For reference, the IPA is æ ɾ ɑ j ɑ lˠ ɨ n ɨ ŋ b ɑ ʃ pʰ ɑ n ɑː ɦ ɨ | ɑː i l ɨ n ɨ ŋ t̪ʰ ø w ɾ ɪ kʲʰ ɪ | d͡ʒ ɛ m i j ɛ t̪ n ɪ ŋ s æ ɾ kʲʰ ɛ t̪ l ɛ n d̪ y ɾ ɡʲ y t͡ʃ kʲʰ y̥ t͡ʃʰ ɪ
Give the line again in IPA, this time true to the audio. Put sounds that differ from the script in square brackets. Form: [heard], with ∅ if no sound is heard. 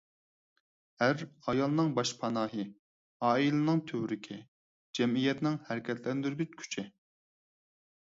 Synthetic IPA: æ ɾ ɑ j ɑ lˠ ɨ n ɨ ŋ b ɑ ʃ pʰ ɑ n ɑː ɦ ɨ | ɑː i l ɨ n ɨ ŋ t̪ʰ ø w ɾ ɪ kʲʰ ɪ | d͡ʒ ɛ m i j ɛ t̪ n ɪ ŋ [h] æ ɾ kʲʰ ɛ t̪ l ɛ n d̪ y ɾ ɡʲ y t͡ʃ kʲʰ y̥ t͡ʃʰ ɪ